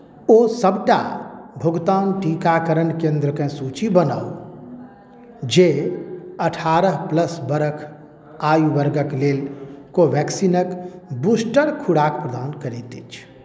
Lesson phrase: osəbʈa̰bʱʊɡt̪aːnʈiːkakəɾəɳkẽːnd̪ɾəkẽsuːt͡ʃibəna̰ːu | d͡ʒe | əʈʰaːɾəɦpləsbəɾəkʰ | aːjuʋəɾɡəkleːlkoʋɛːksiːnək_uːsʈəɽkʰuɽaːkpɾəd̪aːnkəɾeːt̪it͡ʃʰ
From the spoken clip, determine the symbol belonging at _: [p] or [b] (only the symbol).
b